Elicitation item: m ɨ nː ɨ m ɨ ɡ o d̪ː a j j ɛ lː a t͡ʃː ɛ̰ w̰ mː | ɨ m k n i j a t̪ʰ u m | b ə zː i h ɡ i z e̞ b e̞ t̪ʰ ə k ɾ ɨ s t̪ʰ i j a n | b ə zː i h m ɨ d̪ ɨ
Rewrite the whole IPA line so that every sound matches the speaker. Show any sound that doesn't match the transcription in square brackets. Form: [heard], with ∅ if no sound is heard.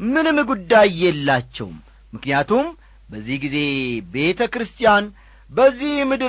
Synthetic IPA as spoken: m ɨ [n] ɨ m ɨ ɡ [u] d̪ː a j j ɛ lː a t͡ʃː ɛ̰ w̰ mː | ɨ [∅] k n i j a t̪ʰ u m | b ə zː i h ɡ i z e̞ b e̞ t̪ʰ ə k ɾ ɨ s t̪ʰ i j a n | b ə zː i h m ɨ d̪ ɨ